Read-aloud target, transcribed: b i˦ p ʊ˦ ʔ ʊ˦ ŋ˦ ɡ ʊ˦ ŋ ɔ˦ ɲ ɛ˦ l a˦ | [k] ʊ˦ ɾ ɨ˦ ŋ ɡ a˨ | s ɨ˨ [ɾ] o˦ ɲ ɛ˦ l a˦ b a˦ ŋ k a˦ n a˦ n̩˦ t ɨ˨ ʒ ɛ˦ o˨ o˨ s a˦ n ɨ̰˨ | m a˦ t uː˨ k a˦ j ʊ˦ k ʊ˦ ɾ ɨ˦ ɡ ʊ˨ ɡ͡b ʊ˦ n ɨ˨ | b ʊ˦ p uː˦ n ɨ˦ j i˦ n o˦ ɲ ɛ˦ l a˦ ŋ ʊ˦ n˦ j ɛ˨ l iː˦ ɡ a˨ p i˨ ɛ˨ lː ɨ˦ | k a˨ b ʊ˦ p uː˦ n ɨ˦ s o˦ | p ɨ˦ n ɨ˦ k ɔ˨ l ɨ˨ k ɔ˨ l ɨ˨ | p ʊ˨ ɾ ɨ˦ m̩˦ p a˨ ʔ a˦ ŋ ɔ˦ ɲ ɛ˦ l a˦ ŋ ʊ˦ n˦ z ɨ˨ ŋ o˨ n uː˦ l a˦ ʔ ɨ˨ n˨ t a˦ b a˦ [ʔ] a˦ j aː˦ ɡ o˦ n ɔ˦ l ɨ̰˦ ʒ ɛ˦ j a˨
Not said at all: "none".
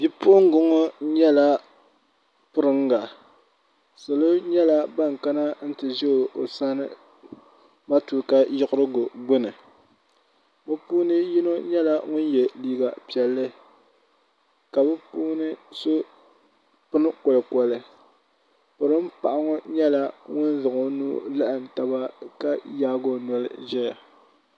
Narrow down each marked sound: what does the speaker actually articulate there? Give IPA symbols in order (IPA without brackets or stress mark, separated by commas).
p, l, k